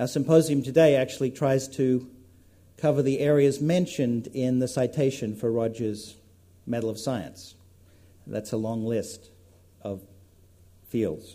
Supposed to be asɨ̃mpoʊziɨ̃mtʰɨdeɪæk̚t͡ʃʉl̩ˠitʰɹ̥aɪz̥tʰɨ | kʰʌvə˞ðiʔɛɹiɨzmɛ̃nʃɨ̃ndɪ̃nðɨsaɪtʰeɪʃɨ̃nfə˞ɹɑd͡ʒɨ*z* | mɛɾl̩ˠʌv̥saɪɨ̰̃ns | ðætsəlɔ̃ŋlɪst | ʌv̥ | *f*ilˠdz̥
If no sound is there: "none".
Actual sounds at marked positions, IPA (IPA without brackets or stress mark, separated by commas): z, f